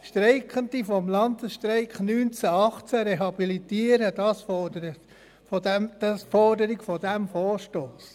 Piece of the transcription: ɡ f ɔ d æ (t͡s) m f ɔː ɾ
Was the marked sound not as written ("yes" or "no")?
yes